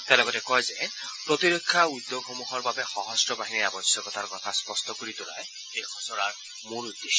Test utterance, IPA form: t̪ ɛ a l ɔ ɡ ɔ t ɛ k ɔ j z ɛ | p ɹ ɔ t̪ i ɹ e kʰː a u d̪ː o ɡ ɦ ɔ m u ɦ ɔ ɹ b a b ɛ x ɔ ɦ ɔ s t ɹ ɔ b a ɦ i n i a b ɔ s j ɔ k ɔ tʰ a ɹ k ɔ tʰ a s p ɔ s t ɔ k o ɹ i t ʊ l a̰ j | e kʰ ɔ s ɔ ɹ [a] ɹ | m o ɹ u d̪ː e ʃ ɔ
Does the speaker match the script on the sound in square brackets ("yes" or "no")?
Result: yes